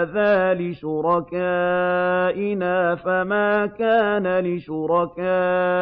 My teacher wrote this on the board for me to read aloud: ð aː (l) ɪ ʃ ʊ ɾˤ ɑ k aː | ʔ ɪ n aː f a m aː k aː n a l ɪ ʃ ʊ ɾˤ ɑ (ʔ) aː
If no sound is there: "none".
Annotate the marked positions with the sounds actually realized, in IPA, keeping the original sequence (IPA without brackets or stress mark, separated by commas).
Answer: l, k